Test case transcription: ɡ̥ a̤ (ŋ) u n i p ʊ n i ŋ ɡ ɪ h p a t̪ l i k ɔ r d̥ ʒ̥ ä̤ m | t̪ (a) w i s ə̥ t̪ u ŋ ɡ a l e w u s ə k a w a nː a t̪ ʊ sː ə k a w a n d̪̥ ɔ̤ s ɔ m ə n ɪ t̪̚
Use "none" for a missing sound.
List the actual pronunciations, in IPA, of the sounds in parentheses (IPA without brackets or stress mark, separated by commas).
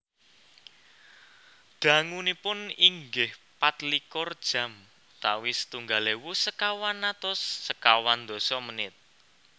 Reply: ŋ, a